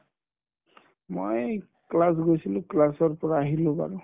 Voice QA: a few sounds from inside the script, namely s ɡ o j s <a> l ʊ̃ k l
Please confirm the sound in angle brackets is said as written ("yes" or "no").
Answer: no